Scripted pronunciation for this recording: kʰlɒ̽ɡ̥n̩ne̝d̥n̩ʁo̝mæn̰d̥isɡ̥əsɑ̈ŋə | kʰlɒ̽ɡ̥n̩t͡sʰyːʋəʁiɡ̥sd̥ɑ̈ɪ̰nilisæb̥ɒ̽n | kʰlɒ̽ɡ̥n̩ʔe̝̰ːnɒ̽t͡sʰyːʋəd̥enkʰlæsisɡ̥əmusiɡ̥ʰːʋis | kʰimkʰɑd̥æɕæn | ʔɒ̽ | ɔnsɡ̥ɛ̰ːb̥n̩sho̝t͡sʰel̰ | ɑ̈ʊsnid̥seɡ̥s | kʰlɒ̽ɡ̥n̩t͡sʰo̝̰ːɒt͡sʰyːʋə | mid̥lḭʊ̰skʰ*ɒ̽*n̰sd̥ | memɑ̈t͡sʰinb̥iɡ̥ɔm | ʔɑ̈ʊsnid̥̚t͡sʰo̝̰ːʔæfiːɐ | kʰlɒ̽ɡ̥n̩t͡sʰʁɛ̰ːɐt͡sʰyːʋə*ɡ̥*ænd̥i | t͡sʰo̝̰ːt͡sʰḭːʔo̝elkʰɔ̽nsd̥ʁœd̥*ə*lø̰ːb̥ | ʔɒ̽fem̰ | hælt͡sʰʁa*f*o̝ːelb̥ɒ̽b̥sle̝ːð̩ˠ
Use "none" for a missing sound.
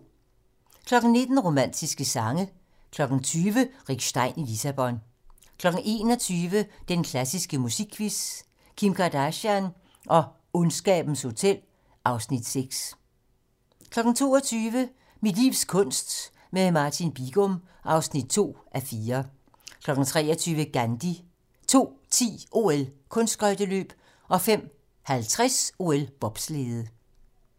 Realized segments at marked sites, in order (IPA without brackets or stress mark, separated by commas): ɔ̽, ɡ̥, ə, s